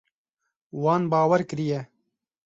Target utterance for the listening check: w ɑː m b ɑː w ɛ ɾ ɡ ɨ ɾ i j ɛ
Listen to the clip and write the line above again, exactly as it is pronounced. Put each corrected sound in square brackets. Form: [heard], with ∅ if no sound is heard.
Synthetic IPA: w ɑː [n] b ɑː w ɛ ɾ [k] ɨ ɾ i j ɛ